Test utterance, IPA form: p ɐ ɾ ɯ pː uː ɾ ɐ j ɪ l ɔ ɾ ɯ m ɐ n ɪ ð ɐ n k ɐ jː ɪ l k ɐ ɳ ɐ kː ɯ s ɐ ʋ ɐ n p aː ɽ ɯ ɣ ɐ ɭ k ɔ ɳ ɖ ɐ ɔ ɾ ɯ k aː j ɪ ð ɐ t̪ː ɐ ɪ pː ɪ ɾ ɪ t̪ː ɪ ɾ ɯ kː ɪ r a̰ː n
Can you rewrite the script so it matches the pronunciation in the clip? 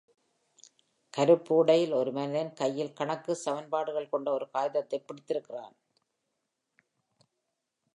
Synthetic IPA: k ɐ ɾ ɯ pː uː ɽ ɐ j ɪ l ɔ ɾ ɯ m ɐ n ɪ ð ɐ n k ɐ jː ɪ l k ɐ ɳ ɐ kː ɯ s ɐ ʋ ɐ n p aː ɽ ɯ ɣ ɐ ɭ k ɔ ɳ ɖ ɐ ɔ ɾ ɯ k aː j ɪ ð ɐ t̪ː ɐ ɪ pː ɪ ɽ ɪ t̪ː ɪ ɾ ɯ kː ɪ r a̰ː n